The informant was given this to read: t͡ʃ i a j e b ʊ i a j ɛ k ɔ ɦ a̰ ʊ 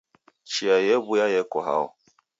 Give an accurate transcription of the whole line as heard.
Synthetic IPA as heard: t͡ʃ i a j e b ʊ j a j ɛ k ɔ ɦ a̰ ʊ